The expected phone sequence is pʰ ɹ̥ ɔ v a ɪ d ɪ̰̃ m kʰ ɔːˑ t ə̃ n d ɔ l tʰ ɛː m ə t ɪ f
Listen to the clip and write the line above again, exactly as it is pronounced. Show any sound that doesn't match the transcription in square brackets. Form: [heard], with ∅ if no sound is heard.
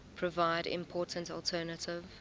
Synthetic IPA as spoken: pʰ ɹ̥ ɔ v a ɪ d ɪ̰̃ m [pʰ] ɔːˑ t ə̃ n [t] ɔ l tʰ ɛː [n] ə t ɪ [v]

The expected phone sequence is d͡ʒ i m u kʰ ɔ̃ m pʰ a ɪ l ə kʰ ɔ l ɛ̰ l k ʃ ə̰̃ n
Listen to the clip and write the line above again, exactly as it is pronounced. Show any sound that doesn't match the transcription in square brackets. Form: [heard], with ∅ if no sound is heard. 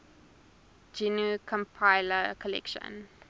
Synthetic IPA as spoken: d͡ʒ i [n] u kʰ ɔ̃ m pʰ a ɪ l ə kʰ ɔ l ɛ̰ [∅] k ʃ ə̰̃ n

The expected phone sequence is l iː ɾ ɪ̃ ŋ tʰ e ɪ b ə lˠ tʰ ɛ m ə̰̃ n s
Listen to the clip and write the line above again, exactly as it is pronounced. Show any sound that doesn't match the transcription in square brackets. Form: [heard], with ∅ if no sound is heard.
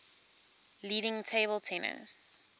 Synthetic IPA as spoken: l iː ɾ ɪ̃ ŋ tʰ e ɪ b ə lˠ tʰ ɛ [n] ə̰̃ n s

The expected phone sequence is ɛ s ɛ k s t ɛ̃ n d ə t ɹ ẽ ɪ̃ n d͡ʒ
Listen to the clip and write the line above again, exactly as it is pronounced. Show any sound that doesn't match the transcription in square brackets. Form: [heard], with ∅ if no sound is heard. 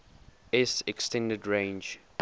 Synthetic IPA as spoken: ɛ s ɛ k s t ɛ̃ n d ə [d] ɹ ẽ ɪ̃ n d͡ʒ

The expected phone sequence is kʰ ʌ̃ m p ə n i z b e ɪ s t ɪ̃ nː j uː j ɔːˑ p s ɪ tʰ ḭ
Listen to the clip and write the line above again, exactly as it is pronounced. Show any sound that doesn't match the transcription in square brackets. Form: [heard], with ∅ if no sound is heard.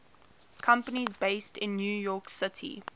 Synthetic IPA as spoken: kʰ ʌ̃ m p ə n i z b e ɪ s t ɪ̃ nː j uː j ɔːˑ [k] s ɪ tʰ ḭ

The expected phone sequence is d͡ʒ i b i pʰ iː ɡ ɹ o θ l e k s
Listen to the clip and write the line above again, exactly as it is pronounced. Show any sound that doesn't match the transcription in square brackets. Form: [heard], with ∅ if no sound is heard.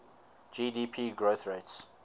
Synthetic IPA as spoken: d͡ʒ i [d] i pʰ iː ɡ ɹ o θ [ɹ] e [t] s

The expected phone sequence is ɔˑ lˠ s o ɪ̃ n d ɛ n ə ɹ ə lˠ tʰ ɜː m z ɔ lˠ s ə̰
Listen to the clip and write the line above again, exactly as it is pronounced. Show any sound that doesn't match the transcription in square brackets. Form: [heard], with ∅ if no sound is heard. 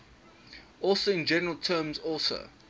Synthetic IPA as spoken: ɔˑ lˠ s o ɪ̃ n [d͡ʒ] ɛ n ə ɹ ə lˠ tʰ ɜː m z ɔ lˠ s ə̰

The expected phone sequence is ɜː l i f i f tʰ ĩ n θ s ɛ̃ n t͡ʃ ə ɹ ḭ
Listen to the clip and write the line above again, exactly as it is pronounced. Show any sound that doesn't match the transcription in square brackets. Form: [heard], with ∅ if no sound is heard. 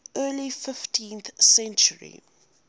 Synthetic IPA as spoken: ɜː l i f [ɪ] f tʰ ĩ n θ s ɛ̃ n t͡ʃ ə ɹ ḭ

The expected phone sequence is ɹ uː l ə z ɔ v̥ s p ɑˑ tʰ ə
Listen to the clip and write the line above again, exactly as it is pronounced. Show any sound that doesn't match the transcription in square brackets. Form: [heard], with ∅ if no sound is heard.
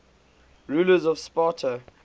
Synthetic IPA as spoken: ɹ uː l ə z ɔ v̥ s p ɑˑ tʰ ə

